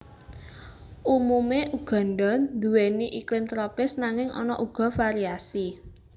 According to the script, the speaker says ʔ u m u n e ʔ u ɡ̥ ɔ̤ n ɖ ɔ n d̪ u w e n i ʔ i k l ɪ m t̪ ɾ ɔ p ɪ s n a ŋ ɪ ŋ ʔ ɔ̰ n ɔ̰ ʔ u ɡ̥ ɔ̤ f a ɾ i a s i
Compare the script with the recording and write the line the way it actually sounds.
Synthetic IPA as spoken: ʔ u m u m e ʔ u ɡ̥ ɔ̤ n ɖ ɔ n d̪ u w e n i ʔ i k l ɪ m t̪ ɾ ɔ p ɪ s n a ŋ ɪ ŋ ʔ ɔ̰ n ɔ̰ ʔ u ɡ̥ ɔ̤ f a ɾ i a s i